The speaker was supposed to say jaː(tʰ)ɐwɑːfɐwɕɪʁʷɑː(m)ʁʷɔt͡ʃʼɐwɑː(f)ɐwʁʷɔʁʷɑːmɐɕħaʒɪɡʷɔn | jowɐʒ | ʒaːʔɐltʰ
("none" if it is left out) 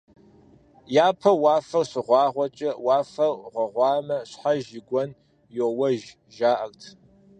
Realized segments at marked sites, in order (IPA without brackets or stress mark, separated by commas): pʰ, none, f